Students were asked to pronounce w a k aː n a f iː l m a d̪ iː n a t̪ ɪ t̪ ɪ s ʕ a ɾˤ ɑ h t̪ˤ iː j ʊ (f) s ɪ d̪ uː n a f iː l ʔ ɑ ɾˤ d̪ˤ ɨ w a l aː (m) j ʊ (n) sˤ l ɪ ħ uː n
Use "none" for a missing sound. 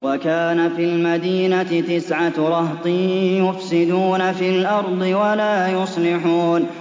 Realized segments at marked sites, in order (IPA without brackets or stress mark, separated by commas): f, none, none